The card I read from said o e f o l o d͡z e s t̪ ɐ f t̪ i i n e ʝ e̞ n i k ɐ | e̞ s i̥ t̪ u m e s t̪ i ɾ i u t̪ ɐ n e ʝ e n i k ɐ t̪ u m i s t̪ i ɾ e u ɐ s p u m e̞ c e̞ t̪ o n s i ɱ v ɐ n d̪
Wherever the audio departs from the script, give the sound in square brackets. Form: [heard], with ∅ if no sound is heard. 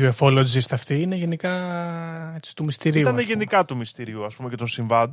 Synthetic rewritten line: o e f o l o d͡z [i] s t̪ ɐ f t̪ i i n e ʝ e̞ n i k ɐ | e̞ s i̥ t̪ u m [i] s t̪ i ɾ i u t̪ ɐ n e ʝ e n i k ɐ t̪ u m i s t̪ i ɾ [i] u ɐ s p u m e̞ c e̞ t̪ o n s i ɱ v ɐ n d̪